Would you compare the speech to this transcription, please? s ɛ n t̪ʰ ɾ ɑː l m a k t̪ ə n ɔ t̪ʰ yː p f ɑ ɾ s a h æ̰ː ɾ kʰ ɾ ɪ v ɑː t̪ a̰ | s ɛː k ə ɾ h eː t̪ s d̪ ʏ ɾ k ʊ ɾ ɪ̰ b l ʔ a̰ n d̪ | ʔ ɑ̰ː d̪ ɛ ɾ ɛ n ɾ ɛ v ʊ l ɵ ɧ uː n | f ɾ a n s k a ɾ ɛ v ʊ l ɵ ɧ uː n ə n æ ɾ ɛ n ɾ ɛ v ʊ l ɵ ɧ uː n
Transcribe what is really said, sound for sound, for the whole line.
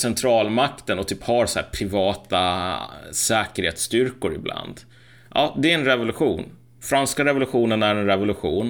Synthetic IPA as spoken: s ɛ n t̪ʰ ɾ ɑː l m a k t̪ ə n ɔ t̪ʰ yː p h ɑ ɾ s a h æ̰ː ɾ pʰ ɾ ɪ v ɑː t̪ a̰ | s ɛː k ə ɾ h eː t̪ s t̪ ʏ ɾ k ʊ ɾ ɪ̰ b l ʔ a̰ n d̪ | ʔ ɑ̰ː d̪ ɛ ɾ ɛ n ɾ ɛ v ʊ l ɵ ɧ uː n | f ɾ a n s k a ɾ ɛ v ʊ l ɵ ɧ uː n ə n æ ɾ ɛ n ɾ ɛ v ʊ l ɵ ɧ uː n